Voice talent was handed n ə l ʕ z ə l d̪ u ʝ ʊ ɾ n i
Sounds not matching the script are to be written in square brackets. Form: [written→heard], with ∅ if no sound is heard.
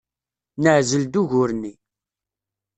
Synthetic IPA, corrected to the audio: n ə [l→∅] ʕ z ə l d̪ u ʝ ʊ ɾ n i